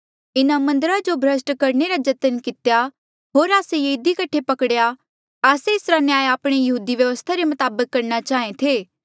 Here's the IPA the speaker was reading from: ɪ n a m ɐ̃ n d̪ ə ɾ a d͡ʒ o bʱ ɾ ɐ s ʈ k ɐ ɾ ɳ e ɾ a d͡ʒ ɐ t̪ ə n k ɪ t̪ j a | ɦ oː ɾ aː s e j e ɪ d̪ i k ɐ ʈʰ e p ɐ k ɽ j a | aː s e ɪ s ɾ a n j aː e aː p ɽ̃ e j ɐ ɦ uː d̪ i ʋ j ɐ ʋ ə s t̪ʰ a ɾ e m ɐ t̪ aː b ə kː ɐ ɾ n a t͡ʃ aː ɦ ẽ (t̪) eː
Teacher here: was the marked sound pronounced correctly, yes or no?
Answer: no